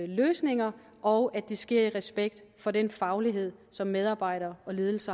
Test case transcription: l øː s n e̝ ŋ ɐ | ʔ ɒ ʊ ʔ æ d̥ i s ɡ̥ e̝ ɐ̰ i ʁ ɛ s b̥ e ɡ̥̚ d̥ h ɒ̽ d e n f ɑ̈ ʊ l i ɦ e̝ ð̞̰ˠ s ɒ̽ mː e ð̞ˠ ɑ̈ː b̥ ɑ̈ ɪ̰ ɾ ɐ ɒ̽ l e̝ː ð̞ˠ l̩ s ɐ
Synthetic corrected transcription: l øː s n e̝ ŋ ɐ | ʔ ɒ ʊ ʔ æ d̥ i s ɡ̥ e̝ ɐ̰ i ʁ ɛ s b̥ e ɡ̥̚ d̥ f ɒ̽ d e n f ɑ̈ ʊ l i ɦ e̝ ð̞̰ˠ s ɒ̽ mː e ð̞ˠ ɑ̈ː b̥ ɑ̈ ɪ̰ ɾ ɐ ɒ̽ l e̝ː ð̞ˠ l̩ s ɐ